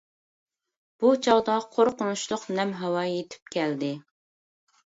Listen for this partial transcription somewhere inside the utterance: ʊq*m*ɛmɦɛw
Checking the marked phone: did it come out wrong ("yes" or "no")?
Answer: yes